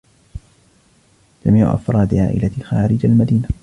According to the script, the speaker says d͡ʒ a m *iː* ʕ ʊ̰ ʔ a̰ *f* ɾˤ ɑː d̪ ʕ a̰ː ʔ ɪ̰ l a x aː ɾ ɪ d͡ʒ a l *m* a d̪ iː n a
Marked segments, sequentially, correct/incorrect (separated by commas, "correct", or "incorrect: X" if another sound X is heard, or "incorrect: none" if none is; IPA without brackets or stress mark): correct, correct, correct